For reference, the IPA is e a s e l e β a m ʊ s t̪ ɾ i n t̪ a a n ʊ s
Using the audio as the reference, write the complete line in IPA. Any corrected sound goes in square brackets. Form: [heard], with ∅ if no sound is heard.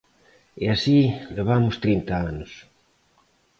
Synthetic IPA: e a s [i] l e β a m ʊ s t̪ ɾ i n t̪ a a n ʊ s